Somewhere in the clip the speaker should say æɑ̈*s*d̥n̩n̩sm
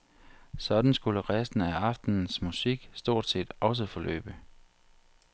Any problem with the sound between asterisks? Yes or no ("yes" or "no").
yes